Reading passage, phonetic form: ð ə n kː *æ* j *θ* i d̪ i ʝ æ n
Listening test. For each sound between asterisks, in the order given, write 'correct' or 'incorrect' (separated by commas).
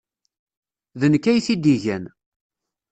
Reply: correct, correct